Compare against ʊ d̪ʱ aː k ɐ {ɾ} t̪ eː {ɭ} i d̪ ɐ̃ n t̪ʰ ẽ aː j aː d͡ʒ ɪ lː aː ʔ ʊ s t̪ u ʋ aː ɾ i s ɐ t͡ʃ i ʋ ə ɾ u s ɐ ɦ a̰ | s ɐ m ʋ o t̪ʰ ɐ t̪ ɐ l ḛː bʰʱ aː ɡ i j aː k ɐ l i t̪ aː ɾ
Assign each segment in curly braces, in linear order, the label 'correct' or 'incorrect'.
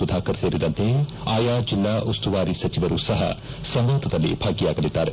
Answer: correct, incorrect

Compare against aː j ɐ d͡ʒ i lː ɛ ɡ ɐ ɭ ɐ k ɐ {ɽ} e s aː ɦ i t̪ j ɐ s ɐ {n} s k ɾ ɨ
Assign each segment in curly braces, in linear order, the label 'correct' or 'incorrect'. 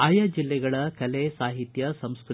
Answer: incorrect, incorrect

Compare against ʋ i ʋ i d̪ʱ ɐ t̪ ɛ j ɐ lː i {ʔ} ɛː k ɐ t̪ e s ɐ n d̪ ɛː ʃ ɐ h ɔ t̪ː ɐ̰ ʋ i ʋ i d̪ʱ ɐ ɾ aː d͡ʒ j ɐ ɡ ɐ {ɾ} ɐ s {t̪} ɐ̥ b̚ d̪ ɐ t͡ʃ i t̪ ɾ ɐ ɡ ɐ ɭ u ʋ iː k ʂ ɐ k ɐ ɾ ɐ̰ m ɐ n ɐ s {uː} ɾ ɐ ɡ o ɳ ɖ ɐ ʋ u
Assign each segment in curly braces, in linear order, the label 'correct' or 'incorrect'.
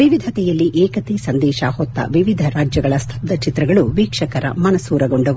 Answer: correct, incorrect, incorrect, correct

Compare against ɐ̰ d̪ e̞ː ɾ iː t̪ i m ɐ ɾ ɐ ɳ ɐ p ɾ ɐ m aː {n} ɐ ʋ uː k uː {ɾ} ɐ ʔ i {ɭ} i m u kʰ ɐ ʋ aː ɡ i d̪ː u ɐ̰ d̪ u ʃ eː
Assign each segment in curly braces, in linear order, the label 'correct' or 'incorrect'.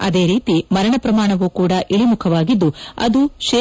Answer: incorrect, incorrect, correct

